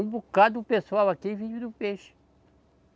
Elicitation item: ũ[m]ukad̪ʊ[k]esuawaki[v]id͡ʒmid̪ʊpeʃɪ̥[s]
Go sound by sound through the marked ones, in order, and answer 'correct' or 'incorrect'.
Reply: incorrect: b, incorrect: p, correct, incorrect: none

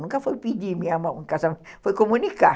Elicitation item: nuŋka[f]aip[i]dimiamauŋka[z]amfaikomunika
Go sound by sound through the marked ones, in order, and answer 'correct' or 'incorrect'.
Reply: correct, correct, incorrect: s

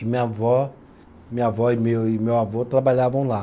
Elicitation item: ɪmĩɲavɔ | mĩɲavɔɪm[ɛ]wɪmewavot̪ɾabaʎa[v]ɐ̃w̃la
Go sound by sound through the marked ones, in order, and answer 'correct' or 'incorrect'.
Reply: incorrect: e, correct

